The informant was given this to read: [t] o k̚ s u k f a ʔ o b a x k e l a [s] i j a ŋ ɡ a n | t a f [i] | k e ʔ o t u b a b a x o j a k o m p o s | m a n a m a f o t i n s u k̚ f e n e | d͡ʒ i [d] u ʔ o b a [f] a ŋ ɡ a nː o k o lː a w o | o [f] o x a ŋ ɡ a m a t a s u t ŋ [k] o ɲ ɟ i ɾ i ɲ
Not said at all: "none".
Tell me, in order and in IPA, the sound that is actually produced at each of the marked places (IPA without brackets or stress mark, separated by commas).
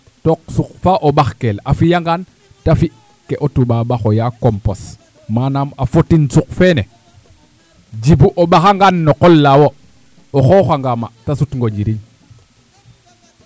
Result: t, f, i, b, x, x, ɡ